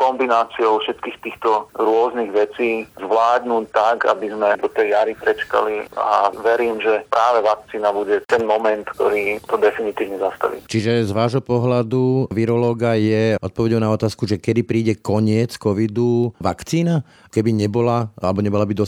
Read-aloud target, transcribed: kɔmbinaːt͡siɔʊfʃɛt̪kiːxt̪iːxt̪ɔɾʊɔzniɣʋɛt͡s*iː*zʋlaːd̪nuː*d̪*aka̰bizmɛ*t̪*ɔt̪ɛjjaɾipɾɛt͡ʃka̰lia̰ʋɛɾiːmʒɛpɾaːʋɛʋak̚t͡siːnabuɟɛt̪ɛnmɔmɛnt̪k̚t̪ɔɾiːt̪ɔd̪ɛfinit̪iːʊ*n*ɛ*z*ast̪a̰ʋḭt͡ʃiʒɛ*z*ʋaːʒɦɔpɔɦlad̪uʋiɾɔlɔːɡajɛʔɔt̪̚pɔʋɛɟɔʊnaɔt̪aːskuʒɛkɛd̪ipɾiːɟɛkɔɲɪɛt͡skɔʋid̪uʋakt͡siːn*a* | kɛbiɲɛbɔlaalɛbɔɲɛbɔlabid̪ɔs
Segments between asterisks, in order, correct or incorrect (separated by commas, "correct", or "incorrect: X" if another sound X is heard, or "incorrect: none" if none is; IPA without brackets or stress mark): correct, incorrect: t̪, incorrect: d̪, incorrect: ɲ, correct, correct, correct